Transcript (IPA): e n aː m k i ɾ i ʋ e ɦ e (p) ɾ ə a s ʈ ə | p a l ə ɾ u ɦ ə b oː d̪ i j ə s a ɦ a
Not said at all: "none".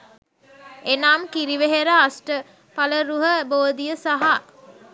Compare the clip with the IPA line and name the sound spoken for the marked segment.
none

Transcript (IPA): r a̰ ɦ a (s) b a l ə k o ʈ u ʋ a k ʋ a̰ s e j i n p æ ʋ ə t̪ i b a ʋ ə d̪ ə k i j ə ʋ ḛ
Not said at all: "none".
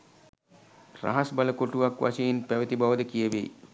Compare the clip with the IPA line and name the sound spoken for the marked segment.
s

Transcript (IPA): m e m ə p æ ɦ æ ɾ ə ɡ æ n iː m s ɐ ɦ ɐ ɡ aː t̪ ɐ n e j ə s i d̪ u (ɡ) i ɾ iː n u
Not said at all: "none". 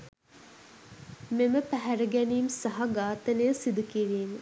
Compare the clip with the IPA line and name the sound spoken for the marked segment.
k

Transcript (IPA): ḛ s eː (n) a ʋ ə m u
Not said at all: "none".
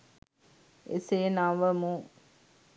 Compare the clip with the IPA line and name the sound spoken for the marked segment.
n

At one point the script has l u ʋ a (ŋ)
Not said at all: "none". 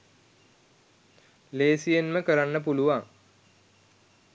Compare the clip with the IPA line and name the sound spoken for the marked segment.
ŋ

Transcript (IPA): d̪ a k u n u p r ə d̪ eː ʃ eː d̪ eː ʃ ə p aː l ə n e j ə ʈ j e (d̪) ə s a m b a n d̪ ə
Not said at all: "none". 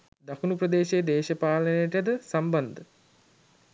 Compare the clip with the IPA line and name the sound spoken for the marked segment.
d̪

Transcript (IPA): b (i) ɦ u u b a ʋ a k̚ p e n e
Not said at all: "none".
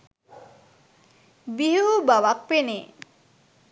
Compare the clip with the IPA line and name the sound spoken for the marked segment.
i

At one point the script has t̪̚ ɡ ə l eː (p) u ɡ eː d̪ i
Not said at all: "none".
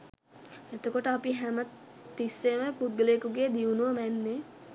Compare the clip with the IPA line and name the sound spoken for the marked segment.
k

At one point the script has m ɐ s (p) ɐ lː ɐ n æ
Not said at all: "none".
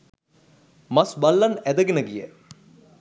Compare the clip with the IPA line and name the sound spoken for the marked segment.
b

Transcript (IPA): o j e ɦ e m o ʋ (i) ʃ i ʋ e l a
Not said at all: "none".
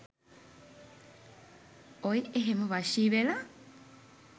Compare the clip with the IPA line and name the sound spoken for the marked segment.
a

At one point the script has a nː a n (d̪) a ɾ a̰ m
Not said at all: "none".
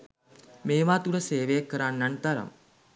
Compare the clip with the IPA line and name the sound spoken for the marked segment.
t̪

